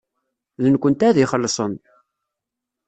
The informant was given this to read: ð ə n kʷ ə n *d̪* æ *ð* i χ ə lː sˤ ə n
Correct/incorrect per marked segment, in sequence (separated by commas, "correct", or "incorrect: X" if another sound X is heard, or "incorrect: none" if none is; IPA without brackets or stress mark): incorrect: t̪, correct